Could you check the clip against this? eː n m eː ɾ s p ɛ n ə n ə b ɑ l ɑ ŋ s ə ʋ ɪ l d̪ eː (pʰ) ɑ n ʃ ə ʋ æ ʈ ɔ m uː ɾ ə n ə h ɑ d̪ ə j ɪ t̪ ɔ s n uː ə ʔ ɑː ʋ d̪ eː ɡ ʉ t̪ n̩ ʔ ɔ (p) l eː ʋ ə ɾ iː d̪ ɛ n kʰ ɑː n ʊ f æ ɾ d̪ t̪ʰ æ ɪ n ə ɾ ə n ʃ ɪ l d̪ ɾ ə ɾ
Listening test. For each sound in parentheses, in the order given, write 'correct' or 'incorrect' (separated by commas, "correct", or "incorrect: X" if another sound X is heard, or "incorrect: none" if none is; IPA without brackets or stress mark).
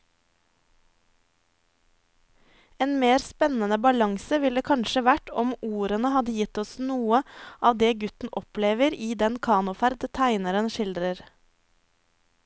incorrect: kʰ, correct